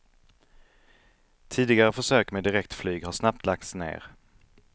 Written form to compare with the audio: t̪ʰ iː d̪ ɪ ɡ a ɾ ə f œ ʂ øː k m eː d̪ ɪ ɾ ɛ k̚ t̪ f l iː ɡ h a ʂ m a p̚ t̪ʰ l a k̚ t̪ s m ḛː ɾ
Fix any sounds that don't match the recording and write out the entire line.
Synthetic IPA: t̪ʰ iː d̪ ɪ ɡ a ɾ ə f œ ʂ øː k m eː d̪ ɪ ɾ ɛ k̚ t̪ f l yː ɡ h a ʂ n a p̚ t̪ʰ l a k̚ t̪ s n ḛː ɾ